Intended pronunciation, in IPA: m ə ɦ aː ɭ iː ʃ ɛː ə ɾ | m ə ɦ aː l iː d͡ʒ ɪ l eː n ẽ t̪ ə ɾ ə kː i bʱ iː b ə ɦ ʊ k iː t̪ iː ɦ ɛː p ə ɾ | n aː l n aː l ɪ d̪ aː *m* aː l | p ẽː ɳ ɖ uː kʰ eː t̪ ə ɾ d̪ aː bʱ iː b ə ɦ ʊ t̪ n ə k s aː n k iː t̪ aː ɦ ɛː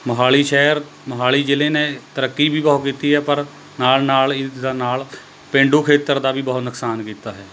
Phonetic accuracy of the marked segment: incorrect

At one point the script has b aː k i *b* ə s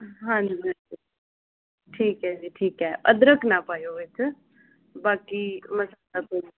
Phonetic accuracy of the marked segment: incorrect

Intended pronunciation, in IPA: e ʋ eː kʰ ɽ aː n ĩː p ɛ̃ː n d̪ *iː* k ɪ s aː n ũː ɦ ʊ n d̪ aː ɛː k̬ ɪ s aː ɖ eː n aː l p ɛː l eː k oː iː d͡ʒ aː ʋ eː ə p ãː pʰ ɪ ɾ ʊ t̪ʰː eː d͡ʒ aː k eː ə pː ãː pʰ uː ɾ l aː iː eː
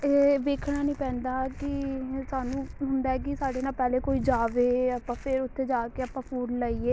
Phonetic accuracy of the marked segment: incorrect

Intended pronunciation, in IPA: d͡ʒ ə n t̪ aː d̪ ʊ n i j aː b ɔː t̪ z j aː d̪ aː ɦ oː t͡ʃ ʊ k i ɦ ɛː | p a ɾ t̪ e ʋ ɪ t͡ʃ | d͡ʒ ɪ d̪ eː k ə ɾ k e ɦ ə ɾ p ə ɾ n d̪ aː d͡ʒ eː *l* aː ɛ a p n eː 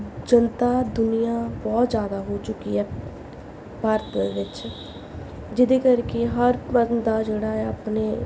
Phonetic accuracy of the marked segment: incorrect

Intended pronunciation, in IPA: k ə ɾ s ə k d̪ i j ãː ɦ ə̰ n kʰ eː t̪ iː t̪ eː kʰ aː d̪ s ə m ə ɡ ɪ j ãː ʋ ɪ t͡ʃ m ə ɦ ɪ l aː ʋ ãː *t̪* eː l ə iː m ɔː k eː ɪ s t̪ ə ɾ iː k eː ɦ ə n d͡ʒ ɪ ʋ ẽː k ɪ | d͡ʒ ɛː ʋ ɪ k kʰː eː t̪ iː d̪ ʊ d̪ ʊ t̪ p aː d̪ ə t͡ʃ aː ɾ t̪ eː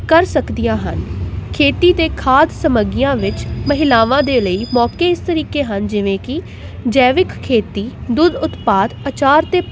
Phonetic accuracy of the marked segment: incorrect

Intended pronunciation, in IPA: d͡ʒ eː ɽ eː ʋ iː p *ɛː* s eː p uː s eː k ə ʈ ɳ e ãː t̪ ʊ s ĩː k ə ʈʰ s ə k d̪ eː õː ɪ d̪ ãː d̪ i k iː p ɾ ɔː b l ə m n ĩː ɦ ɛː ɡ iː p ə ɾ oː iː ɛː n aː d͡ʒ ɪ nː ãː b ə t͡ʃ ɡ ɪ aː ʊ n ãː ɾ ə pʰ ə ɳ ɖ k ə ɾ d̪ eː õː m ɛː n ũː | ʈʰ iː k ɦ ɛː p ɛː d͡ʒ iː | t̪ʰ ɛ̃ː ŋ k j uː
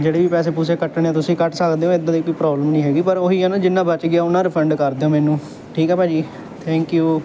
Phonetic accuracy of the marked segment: correct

